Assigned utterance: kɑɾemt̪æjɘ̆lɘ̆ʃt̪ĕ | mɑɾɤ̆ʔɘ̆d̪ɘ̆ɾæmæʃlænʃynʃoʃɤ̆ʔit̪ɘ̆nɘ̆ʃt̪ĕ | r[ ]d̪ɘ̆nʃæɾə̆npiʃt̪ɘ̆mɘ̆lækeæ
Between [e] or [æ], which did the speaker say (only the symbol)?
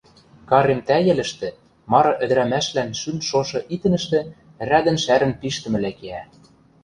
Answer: æ